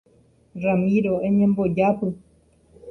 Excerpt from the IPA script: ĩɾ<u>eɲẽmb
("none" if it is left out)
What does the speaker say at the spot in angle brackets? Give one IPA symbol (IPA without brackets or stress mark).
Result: o